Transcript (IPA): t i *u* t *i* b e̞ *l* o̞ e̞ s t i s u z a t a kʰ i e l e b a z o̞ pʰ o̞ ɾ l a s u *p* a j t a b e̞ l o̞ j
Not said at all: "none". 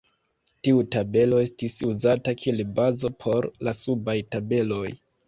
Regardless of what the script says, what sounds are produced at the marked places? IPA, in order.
u, a, l, b

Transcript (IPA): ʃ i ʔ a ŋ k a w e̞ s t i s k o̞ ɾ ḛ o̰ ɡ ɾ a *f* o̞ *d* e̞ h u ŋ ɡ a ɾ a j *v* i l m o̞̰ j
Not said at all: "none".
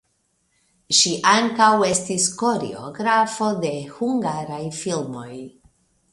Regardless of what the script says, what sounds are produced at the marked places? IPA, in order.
f, d, f

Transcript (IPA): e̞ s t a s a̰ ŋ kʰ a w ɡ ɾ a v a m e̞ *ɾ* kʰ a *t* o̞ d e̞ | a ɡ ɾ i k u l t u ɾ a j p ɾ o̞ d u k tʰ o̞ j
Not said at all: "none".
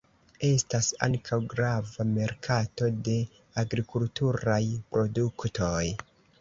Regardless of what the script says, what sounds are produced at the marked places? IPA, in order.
ɾ, t

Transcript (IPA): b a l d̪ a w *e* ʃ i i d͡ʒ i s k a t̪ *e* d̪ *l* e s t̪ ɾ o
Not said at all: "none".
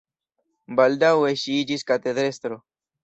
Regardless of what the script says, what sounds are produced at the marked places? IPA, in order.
e, e, ɾ

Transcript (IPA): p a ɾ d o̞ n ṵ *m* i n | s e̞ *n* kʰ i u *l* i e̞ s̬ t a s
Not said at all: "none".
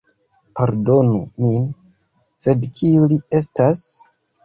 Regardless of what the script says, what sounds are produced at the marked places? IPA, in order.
m, d, l

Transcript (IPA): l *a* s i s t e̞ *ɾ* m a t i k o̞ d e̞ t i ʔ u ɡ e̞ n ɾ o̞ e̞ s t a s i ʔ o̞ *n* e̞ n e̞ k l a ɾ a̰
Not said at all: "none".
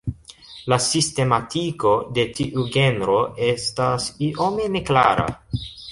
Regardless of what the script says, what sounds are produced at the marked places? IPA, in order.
a, none, m

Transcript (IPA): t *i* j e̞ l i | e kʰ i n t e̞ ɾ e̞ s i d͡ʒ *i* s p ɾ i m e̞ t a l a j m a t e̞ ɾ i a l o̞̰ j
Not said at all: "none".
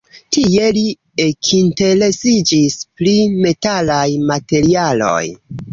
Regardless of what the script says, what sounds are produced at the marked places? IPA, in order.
i, i

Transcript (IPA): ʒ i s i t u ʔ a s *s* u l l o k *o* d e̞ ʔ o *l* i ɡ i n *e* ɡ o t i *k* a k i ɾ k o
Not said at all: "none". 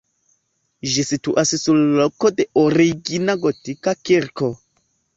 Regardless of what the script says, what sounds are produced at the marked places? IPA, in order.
s, o, ɾ, a, k

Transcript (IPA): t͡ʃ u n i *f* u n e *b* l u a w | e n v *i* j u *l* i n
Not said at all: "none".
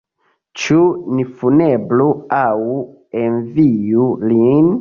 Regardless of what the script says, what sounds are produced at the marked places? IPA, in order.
f, b, i, l

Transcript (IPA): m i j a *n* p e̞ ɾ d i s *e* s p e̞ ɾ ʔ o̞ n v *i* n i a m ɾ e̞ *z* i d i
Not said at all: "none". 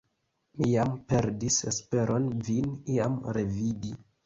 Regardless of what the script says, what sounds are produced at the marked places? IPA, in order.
m, e, i, v

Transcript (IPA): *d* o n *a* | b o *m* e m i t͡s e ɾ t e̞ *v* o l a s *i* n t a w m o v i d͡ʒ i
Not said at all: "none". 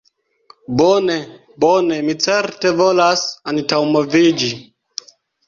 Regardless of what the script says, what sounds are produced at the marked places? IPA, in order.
b, e, n, v, a

